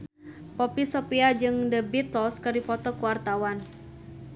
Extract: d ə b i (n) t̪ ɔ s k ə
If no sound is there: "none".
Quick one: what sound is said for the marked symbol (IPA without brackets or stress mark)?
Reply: none